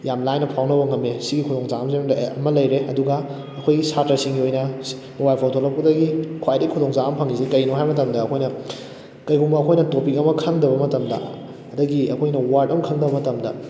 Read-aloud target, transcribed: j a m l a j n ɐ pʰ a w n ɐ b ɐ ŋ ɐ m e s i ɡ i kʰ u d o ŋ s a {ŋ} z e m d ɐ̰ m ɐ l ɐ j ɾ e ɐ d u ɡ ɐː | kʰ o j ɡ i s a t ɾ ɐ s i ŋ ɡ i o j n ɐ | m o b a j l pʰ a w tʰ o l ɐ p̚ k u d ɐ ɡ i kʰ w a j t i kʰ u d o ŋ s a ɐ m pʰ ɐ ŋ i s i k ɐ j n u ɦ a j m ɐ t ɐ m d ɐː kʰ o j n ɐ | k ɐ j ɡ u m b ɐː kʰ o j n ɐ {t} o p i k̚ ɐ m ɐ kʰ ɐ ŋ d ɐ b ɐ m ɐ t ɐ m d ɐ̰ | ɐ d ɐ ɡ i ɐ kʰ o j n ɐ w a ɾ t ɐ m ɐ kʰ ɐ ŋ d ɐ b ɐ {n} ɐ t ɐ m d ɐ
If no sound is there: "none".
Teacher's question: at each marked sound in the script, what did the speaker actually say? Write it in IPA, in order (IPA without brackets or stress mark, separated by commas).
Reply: m, t, m